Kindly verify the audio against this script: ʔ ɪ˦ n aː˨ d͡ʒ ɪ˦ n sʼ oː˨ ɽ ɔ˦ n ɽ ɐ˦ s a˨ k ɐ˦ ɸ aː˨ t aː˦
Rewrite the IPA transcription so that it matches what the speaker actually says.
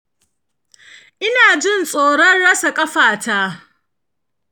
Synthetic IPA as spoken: ʔ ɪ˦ n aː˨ d͡ʒ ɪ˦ n sʼ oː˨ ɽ ɔ˦ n ɽ ɐ˦ s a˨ kʼ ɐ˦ ɸ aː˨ t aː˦